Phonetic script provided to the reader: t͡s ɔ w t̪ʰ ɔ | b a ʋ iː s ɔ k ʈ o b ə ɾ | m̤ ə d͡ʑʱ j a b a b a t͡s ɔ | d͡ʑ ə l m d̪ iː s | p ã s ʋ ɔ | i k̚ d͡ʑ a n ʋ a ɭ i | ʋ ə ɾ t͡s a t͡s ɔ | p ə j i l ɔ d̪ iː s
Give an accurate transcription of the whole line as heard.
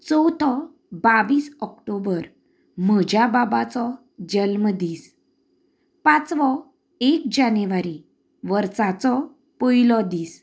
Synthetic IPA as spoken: t͡s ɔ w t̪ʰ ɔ | b a ʋ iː s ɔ k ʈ o b ə ɾ | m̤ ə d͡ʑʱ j a b a b a t͡s ɔ | d͡ʑ ə l m d̪ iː s | p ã t͡s ʋ ɔ | e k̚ d͡ʑ a n ʋ a ɾ i | ʋ ə ɾ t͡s a t͡s ɔ | p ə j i l ɔ d̪ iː s

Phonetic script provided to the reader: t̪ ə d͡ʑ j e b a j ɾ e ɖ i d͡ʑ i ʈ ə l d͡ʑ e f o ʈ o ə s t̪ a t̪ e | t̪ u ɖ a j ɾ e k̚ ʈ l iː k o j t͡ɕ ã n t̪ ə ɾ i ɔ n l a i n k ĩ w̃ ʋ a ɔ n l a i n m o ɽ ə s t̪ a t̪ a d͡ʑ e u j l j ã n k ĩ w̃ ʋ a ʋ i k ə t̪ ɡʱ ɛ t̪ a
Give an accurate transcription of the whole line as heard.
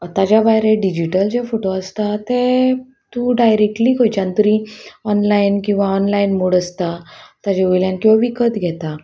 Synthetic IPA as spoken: t̪ a d͡ʑ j a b a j ɾ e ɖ i d͡ʑ i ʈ ə l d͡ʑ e f o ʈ o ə s t̪ a t̪ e | t̪ u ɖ a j ɾ e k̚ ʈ l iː k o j t͡ɕ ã n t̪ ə ɾ i ɔ n l a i n k ĩ w̃ ʋ a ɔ n l a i n m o ɽ ə s t̪ a t̪ a d͡ʑ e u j l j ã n k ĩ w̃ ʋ a ʋ i k ə t̪ ɡʱ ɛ t̪ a

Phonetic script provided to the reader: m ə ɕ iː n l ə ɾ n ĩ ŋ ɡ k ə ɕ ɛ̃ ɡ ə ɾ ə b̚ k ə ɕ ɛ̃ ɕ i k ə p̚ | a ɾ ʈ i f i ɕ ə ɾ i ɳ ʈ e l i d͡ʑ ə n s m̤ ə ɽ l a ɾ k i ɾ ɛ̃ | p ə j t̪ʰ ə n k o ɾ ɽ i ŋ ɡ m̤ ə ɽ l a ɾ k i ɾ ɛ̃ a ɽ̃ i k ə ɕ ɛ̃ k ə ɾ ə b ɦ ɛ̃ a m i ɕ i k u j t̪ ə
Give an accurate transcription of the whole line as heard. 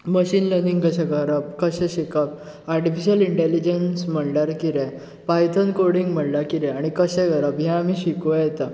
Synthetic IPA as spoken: m ə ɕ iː n l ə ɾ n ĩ ŋ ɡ k ə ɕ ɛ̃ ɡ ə ɾ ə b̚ k ə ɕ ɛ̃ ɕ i k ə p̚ | a ɾ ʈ i f i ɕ ə l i ɳ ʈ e l i d͡ʑ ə n s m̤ ə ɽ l a ɾ k i ɾ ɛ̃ | p a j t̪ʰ ə n k o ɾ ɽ i ŋ ɡ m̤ ə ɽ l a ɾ k i ɾ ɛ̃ a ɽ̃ i k ə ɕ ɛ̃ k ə ɾ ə b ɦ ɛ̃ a m i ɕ i k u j t̪ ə

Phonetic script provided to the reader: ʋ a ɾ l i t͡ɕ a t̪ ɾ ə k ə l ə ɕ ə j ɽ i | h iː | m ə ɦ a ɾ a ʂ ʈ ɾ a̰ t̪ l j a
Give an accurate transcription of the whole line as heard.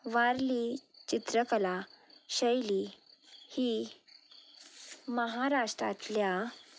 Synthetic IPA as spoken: ʋ a ɾ l i t͡ɕ i t̪ ɾ ə k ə l a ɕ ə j l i | h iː | m ə ɦ a ɾ a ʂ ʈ ɾ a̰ t̪ l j a

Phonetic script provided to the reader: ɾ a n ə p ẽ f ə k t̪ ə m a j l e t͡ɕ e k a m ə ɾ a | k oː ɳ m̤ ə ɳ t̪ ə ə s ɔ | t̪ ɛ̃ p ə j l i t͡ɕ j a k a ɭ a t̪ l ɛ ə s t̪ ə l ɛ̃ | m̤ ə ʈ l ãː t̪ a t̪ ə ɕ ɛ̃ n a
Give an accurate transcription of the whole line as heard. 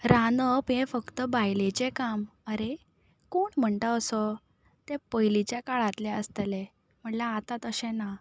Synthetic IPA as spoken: ɾ a n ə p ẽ f ə k t̪ ə b a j l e t͡ɕ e k a m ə ɾ e | k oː ɳ m̤ ə ɳ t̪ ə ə s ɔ | t̪ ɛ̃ p ə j l i t͡ɕ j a k a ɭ a t̪ l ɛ ə s t̪ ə l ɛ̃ | m̤ ə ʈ l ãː t̪ a t̪ ə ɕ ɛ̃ n a

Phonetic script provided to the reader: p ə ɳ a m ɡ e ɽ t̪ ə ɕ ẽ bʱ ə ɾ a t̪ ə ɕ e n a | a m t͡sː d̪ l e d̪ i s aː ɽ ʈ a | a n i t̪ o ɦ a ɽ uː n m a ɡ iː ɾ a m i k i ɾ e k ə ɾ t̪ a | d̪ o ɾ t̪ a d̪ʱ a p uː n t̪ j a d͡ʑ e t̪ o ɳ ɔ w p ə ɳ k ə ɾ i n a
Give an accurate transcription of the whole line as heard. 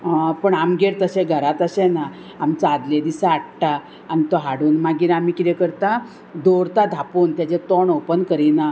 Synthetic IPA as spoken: p ə ɳ a m ɡ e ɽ t̪ ə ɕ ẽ ɡʱ ə ɾ a t̪ ə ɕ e n a | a m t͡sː d̪ l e d̪ i s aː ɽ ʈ a | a n i t̪ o ɦ a ɽ uː n m a ɡ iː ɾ a m i k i ɾ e k ə ɾ t̪ a | d̪ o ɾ t̪ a d̪ʱ a p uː n t̪ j a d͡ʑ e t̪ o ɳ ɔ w p ə n k ə ɾ i n a

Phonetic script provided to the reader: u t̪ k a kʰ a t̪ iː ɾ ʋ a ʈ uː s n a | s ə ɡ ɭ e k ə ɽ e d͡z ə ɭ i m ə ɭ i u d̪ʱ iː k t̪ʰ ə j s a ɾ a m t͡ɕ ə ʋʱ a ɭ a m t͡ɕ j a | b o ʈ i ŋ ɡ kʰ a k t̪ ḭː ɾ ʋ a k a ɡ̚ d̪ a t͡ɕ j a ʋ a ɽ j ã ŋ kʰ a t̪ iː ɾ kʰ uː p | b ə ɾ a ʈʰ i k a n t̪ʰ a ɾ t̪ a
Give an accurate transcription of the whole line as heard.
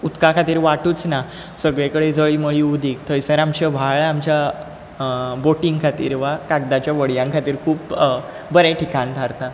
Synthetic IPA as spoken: u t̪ k a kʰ a t̪ iː ɾ ʋ a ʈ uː t͡s n a | s ə ɡ ɭ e k ə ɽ e d͡z ə ɭ i m ə ɭ i u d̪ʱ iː k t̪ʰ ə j s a ɾ a m t͡ɕ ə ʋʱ a ɭ a m t͡ɕ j a | b o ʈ i ŋ ɡ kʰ a t̪ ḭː ɾ ʋ a k a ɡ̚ d̪ a t͡ɕ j a ʋ ə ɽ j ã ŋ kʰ a t̪ iː ɾ kʰ uː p | b ə ɾ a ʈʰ i k a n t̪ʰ a ɾ t̪ a

